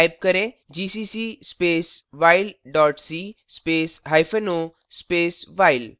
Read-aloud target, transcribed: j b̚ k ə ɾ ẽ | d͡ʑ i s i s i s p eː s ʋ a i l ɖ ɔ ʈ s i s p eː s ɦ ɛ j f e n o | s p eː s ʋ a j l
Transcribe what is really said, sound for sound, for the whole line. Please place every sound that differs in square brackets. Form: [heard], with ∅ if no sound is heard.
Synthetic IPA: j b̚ k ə ɾ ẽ | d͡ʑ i s i s i s p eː s ʋ a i l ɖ ɔ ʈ s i s p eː s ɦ [a] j f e n o | s p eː s ʋ a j l